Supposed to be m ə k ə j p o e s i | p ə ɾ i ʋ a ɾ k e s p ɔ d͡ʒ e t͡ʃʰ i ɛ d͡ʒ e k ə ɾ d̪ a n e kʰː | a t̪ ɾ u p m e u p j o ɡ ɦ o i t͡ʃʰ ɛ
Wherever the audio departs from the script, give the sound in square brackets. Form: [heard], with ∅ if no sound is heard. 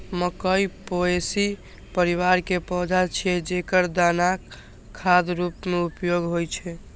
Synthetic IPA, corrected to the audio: m ə k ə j p o e s i | p ə ɾ i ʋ a ɾ k e [∅] p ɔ d͡ʒ [a] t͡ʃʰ i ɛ d͡ʒ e k ə ɾ d̪ a n [a] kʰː | a [d̪] ɾ u p m e u p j o ɡ ɦ o [j] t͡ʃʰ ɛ